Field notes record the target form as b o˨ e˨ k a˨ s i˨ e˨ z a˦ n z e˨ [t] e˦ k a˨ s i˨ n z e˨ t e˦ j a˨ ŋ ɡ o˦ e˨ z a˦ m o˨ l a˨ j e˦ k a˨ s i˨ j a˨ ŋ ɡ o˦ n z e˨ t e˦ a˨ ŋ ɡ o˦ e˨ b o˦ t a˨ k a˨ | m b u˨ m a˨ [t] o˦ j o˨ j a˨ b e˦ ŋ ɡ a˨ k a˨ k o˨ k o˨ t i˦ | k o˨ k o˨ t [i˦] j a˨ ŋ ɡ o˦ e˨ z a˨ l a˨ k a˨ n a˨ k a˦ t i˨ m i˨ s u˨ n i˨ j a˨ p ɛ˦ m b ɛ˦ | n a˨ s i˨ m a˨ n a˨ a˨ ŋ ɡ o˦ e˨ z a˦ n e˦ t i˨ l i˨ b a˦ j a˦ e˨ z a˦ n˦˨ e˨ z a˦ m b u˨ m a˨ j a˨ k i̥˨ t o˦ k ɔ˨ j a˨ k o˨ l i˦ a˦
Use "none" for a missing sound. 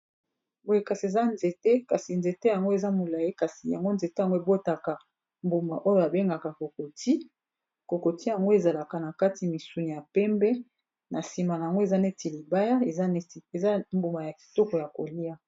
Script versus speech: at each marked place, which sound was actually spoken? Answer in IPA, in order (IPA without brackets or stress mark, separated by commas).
t, ʔ, i˦